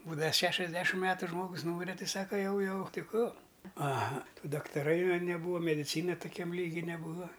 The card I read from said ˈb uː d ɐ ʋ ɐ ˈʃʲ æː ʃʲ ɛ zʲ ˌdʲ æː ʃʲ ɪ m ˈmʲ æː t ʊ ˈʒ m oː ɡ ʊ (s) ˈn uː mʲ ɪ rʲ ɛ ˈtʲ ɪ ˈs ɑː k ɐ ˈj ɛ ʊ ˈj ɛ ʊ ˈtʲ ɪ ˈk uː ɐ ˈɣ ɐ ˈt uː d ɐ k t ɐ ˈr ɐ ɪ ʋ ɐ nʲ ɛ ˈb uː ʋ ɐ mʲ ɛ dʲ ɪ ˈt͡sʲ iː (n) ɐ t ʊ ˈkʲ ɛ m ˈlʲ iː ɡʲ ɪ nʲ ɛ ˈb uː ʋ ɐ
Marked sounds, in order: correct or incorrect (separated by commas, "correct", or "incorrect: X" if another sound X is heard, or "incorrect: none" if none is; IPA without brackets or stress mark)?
correct, correct